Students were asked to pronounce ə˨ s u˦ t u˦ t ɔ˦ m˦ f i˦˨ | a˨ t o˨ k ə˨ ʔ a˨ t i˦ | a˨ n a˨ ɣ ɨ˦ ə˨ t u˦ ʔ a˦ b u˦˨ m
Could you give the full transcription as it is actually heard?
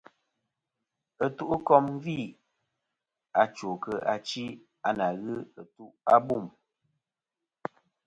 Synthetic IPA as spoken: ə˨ t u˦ ʔ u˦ k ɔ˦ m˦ v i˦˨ | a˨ t͡ʃ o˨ k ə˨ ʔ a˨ t͡ʃ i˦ | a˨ n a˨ ɣ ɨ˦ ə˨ t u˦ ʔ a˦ b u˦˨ m